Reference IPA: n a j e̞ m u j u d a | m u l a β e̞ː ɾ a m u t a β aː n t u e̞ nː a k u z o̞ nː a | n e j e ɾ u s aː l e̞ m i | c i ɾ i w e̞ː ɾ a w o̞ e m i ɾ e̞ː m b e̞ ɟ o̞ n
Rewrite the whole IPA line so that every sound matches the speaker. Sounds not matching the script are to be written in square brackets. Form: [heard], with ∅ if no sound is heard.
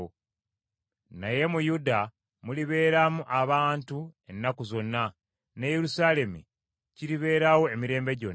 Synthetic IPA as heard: n a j e̞ m u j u d a | m u l [i] β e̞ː ɾ a m u [ʔ] a β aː n t u e̞ nː a k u z o̞ nː a | n e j e ɾ u s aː l e̞ m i | c i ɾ i [β] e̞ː ɾ a w o̞ e m i ɾ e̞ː m b e̞ ɟ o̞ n

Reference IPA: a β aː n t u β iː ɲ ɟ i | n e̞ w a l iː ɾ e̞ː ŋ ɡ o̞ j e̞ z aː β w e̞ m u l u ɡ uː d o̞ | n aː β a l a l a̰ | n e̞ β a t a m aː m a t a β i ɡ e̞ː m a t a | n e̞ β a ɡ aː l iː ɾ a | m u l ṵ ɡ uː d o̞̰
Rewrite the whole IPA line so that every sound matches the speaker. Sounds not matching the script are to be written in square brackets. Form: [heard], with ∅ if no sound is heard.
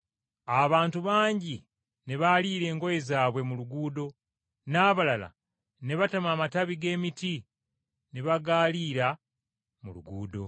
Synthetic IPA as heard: a β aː n t u β [aː] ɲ ɟ i | n e̞ [β] a l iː ɾ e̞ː ŋ ɡ o̞ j e̞ z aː β w e̞ m u l u ɡ uː d o̞ | n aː β a l a l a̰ | n e̞ β a t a m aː m a t a β i ɡ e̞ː m [i] t [i] | n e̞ β a ɡ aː l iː ɾ a | m u l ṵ ɡ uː d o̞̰

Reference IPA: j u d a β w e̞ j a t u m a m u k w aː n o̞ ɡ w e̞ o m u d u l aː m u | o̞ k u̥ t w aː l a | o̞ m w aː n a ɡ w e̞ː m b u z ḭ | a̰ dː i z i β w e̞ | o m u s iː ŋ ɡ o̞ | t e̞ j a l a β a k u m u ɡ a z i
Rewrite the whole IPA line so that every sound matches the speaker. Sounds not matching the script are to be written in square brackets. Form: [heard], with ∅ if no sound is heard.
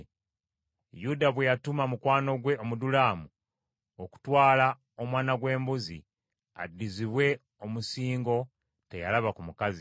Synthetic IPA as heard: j u d a β w e̞ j a t u m a m u k w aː n o̞ ɡ w e̞ o m u d u l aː m u | o̞ k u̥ t w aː l a | o̞ m w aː n a ɡ w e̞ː m b u z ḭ | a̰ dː i z i β w e̞ | o m u s iː ŋ ɡ o̞ | t e̞ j a l a β a k u m u [k] a z i

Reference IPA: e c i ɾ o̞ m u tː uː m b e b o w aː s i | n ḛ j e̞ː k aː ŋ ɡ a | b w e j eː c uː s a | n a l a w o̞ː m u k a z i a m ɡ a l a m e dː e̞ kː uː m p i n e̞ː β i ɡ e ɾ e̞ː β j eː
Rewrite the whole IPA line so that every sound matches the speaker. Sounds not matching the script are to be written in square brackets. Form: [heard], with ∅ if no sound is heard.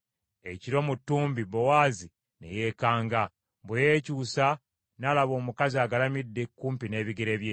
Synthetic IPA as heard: e c i ɾ o̞ m u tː uː m b [i] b o w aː [z] i | n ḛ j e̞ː k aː ŋ ɡ a | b w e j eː c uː s a | n a l a [β] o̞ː m u k a z i a [∅] ɡ a l a m [i] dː e̞ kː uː m p i n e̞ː β i ɡ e ɾ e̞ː β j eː

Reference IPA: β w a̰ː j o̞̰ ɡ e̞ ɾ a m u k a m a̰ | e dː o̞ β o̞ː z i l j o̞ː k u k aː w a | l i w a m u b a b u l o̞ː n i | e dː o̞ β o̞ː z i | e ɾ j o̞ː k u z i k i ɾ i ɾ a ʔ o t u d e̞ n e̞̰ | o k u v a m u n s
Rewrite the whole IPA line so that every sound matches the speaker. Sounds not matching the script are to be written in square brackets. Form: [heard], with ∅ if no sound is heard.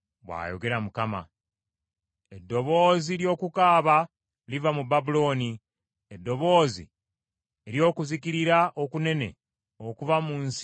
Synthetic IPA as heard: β w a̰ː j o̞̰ ɡ e̞ ɾ a m u k a m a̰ | e dː o̞ β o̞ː z i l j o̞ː k u k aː [β] a | l i [v] a m u b a b u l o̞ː n i | e dː o̞ β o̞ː z i | e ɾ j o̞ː k u z i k i ɾ i ɾ a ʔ o [k] u [n] e̞ n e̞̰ | o k u v a m u n s

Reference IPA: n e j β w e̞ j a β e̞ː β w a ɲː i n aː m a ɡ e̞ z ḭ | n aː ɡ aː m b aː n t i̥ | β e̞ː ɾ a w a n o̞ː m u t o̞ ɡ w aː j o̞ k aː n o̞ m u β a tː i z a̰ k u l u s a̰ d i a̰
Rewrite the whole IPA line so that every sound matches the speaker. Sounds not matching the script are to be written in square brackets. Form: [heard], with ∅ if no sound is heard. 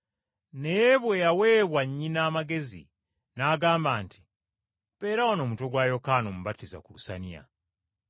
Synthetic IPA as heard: n e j β w e̞ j a [w] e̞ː β w a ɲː i n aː m a ɡ e̞ z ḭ | n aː ɡ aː m b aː n t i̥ | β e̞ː ɾ a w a n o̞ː m u t o̞ ɡ w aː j o̞ k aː n o̞ m u β a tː i z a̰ k u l u s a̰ [n] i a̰

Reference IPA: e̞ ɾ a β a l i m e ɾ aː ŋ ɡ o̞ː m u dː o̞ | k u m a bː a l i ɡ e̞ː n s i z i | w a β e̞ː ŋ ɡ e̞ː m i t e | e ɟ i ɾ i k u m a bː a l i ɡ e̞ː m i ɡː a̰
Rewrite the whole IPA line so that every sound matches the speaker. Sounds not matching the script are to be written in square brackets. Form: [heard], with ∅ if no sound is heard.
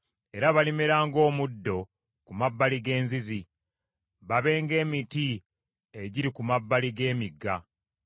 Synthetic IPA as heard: e̞ ɾ a β a l i m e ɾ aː ŋ ɡ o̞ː m u dː o̞ | k u m a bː a l i ɡ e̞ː n [z] i z i | [β] a β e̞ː ŋ ɡ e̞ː m i t [i] | e ɟ i ɾ i k u m a bː a l i ɡ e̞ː m i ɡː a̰

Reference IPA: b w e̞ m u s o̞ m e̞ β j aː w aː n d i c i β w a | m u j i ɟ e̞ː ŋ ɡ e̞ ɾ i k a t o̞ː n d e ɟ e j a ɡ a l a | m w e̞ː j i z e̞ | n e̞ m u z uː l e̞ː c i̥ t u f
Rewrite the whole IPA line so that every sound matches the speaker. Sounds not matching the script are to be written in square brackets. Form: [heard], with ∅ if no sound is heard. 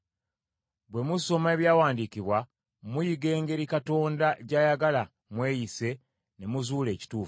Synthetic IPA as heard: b w e̞ m u s o̞ m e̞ β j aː w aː n d i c i β w a | m u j i [ɡ] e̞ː ŋ ɡ e̞ ɾ i k a t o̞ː n d [a] ɟ [a] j a ɡ a l a | m w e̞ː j i [s] e̞ | n e̞ m u z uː l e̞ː c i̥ t [uː] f

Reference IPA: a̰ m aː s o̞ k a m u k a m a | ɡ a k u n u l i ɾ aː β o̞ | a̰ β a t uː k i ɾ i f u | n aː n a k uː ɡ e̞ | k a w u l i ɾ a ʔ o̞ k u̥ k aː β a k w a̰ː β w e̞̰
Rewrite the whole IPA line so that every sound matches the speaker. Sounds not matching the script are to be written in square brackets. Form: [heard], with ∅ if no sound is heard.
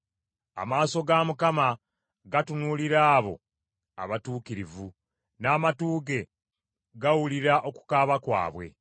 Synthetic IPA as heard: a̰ m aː s o̞ [ɡ] a m u k a m a | ɡ a [t] u n u l i ɾ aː β o̞ | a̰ β a t uː k i ɾ i [v] u | n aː [m] a [t] uː ɡ e̞ | [ɡ] a w u l i ɾ a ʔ o̞ k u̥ k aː β a k w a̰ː β w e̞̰

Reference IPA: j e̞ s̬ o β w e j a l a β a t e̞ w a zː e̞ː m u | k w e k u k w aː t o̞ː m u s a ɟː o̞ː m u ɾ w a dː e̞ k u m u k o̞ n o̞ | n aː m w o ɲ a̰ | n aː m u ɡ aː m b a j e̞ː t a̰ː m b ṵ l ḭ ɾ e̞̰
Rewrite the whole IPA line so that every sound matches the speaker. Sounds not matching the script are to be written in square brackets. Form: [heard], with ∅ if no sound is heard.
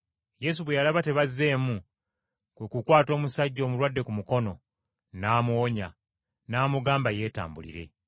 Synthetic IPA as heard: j e̞ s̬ [u] β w e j a l a β a t e̞ [β] a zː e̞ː m u | k w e k u k w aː t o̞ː m u s a ɟː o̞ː m u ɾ w a dː e̞ k u m u k o̞ n o̞ | n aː m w o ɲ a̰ | n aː m u ɡ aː m b a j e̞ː t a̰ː m b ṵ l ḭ ɾ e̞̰

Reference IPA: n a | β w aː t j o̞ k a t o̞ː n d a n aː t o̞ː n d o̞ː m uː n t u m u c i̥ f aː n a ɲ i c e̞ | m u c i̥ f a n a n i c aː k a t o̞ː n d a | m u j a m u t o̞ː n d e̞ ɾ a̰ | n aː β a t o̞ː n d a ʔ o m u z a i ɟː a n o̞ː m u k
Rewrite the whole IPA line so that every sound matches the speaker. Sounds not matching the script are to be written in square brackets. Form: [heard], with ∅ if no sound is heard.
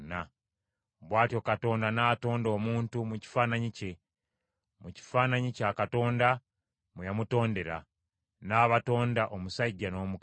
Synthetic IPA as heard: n a | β w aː t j o̞ k a t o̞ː n d a n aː t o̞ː n d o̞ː m uː n t u m u c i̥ f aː n a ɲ i c e̞ | m u c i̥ f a n a [ɲ] i c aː k a t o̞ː n d a | m u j a m u t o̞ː n d e̞ ɾ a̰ | n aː β a t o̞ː n d a ʔ o m u [s] a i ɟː a n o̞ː m u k

